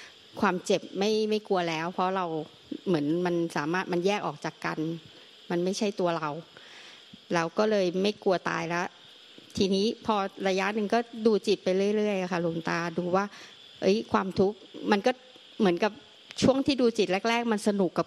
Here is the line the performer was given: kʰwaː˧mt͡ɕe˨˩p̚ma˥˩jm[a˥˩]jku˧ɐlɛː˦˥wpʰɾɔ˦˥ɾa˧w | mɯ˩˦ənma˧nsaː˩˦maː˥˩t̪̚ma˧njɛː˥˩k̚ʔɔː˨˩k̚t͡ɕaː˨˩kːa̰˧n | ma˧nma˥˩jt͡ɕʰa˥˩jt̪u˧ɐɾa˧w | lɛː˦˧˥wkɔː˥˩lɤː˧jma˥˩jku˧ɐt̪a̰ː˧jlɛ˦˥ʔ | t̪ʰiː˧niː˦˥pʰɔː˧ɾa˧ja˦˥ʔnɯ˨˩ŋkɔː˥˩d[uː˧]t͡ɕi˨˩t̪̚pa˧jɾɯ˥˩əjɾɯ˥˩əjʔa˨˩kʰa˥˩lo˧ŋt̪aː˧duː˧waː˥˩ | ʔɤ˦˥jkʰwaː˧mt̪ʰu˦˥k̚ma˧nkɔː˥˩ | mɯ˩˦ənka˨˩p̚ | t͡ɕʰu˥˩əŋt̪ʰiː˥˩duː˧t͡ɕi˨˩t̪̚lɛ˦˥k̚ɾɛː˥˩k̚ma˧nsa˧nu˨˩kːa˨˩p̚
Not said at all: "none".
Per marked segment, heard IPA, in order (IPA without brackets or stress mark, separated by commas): a˥˩, uː˧